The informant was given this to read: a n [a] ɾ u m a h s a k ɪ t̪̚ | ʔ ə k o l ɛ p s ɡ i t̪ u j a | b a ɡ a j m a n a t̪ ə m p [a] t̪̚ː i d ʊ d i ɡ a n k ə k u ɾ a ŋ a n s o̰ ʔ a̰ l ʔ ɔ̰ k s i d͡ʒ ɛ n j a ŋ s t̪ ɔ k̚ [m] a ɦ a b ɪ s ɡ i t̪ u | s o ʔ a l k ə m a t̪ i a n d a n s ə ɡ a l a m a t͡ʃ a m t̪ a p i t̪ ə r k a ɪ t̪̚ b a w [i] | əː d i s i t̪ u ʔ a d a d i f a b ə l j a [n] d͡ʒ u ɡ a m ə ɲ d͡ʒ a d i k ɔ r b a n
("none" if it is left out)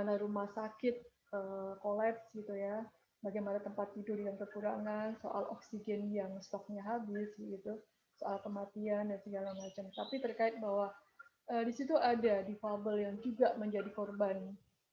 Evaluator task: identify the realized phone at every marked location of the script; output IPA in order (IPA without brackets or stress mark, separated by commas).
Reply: a, a, ɲ, a, ŋ